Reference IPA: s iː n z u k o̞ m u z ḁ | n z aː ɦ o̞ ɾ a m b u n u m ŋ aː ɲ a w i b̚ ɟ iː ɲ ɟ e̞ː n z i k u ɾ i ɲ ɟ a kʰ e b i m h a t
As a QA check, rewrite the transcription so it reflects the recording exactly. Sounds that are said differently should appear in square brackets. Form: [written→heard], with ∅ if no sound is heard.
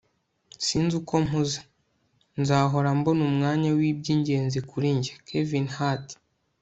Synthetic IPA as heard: s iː n z u k o̞ m u z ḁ | n z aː ɦ o̞ ɾ a m b [u→o] n u m ŋ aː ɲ a w i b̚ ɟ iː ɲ ɟ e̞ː n z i k u ɾ i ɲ ɟ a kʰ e [b→v] i [m→n] h a t

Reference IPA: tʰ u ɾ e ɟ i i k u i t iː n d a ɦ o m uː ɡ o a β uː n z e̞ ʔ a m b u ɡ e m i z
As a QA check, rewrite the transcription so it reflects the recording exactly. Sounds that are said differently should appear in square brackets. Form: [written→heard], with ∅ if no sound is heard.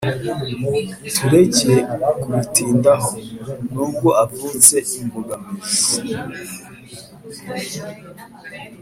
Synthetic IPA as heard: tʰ u ɾ e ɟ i [i→e] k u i t iː n d a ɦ o [m→n] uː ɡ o a [β→v] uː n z e̞ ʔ [a→i] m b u ɡ [e→a] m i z

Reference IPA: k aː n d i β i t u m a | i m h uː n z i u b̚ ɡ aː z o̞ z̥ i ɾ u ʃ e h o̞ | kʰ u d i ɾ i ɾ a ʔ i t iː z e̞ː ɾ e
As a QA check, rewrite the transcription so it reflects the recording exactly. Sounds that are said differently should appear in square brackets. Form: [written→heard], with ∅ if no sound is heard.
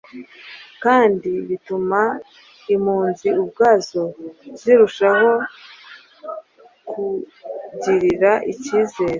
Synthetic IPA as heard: k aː n d i β i t u m a | i m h uː n z i u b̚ ɡ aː z o̞ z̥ i ɾ u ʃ [e→a] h o̞ | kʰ u [d→ɟ] i ɾ i ɾ a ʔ i [t→c] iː z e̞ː ɾ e

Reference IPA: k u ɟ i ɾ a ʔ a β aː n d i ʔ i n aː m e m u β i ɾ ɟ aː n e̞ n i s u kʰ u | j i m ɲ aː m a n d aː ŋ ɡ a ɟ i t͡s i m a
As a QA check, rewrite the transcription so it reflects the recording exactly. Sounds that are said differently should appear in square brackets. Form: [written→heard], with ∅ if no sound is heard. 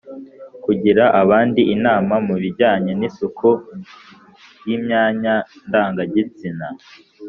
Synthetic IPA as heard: k u ɟ i ɾ a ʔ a β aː n d i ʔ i n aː m [e→a] m u β i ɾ ɟ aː [n→ɲ] e̞ n i s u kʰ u | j i m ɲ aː [m→ɲ] a n d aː ŋ ɡ a ɟ i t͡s i [m→n] a

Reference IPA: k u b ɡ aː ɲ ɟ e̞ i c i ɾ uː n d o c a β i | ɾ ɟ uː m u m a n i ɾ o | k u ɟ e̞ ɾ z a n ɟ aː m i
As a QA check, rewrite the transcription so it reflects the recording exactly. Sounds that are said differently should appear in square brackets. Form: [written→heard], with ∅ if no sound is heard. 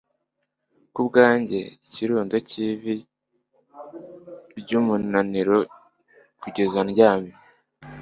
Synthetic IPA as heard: k u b ɡ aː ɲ ɟ e̞ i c i ɾ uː n d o c [a→i] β i | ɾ ɟ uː m u [m→n] a n i ɾ o | k u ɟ e̞ [ɾ→∅] z a n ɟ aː m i

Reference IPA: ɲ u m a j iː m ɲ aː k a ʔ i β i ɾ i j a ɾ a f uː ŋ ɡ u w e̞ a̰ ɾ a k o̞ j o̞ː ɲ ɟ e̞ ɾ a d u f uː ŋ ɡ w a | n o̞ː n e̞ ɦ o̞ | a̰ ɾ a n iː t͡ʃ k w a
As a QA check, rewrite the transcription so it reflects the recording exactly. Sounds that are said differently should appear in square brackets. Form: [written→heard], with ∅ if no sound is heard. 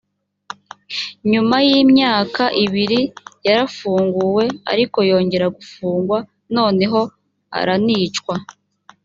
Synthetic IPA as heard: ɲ u m a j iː m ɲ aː k a ʔ i β i ɾ i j a ɾ a f uː ŋ ɡ u w e̞ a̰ ɾ [a→i] k o̞ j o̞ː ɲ ɟ e̞ ɾ a [d→ɡ] u f uː ŋ ɡ w a | n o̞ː n e̞ ɦ o̞ | a̰ ɾ a n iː t͡ʃ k w a

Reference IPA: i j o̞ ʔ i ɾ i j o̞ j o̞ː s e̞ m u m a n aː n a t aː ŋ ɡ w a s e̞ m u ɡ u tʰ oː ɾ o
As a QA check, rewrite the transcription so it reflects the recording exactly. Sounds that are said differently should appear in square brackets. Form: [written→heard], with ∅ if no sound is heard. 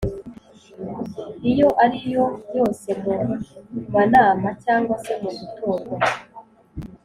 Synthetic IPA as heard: i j o̞ ʔ [i→a] ɾ i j o̞ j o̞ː s e̞ m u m a n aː [n→m] a [t→c] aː ŋ ɡ w a s e̞ m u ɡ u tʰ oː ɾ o

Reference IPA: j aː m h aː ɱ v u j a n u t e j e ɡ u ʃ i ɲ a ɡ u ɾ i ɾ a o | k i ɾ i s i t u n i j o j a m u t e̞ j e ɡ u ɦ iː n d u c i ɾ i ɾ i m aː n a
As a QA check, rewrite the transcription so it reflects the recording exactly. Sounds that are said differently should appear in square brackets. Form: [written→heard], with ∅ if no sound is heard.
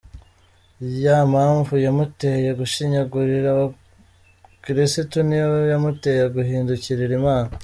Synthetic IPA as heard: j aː m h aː ɱ v u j a [n→m] u t e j e ɡ u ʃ i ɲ a ɡ u ɾ i ɾ a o | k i ɾ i s i t u n i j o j a m u t e̞ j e ɡ u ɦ iː n d u c i ɾ i ɾ i m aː n a

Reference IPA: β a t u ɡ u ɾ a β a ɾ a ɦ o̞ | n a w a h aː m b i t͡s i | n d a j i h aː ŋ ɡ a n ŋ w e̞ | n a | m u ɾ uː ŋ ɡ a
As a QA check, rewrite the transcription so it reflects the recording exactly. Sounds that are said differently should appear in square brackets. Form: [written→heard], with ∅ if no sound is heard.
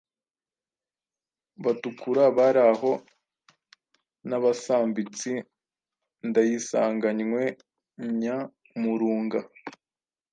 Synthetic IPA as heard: β a t u [ɡ→k] u ɾ a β a ɾ a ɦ o̞ | n a [w→β] a [h→s] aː m b i t͡s i | n d a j i [h→s] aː ŋ ɡ a [n→ɲ] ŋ w e̞ | [n→ɲ] a | m u ɾ uː ŋ ɡ a

